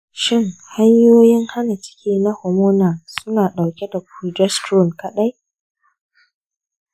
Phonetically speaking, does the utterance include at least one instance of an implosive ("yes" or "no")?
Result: yes